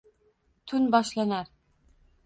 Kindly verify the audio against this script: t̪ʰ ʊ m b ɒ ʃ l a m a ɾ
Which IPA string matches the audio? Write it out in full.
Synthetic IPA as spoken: t̪ʰ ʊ n b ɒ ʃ l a n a ɾ